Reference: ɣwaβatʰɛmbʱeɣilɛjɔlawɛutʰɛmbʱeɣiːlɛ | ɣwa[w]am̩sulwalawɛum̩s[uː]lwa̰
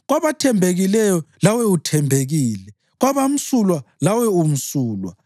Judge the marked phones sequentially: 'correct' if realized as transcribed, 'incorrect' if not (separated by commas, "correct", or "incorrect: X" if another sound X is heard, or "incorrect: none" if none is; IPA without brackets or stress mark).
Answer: incorrect: β, correct